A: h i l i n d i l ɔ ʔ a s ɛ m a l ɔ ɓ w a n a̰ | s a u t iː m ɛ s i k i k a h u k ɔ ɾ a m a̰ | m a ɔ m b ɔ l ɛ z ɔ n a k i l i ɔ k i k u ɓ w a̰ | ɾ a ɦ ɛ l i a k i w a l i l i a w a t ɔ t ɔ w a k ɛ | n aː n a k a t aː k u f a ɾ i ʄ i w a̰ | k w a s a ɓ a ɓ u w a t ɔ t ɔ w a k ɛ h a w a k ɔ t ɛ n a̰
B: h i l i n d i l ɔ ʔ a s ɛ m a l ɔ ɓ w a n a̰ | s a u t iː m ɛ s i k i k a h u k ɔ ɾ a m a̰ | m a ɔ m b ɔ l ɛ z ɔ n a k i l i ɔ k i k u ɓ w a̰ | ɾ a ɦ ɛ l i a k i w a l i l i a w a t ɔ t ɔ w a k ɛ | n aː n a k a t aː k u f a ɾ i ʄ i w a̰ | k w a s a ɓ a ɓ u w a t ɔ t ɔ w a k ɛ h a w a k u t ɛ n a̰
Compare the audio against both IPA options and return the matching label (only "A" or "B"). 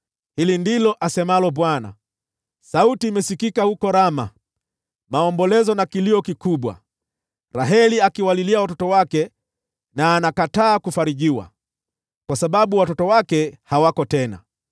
A